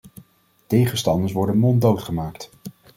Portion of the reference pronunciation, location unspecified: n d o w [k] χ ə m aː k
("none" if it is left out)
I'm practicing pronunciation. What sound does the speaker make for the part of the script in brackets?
t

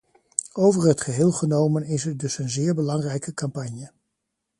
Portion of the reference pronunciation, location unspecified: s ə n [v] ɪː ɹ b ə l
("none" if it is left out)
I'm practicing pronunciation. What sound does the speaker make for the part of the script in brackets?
z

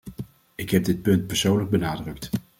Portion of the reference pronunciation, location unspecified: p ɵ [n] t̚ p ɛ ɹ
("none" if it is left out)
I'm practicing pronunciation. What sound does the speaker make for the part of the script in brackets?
n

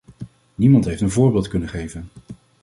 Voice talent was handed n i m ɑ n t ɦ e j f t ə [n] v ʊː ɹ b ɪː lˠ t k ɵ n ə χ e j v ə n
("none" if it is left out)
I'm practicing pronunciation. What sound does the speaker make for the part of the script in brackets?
n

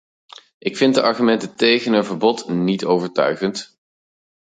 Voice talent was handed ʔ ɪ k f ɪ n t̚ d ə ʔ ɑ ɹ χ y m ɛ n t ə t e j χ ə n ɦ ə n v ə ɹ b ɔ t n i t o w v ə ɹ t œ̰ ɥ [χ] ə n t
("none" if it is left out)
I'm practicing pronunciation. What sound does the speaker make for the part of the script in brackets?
χ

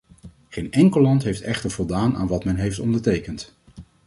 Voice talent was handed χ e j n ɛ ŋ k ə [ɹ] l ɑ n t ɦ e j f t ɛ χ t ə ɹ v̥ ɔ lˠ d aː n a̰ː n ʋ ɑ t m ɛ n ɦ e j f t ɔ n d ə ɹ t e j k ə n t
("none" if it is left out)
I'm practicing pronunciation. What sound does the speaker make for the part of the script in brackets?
none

